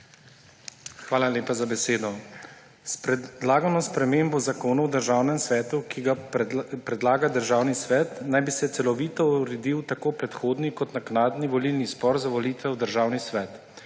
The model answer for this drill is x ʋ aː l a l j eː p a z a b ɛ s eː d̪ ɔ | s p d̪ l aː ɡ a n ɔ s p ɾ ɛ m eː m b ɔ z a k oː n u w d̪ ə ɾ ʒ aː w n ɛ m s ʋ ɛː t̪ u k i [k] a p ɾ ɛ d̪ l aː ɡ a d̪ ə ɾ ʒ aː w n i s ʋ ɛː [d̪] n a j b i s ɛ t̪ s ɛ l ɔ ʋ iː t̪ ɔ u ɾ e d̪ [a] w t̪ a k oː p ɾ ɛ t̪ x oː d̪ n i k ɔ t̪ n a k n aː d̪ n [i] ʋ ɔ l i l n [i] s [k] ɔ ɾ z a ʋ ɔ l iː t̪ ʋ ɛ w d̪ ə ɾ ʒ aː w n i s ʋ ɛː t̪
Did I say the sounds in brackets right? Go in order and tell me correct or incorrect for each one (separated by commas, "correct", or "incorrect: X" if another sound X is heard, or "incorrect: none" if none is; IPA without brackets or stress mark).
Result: incorrect: ɡ, incorrect: t̪, incorrect: i, correct, correct, incorrect: p